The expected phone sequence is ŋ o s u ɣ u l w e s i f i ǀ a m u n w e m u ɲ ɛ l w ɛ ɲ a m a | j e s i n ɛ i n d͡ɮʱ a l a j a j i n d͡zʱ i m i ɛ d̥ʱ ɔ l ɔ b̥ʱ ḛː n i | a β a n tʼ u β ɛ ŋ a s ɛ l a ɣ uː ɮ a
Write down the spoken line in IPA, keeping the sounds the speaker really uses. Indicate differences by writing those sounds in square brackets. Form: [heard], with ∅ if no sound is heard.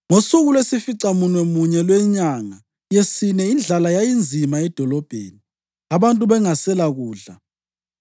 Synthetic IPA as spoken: ŋ o s u ɣ u l w e s i f i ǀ a m u n w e m u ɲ ɛ l w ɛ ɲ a [ŋ] a | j e s i n ɛ i n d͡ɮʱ a l a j a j i n d͡zʱ i m [a] ɛ d̥ʱ ɔ l ɔ b̥ʱ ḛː n i | a β a n tʼ u β ɛ ŋ a s ɛ l a ɣ uː ɮ a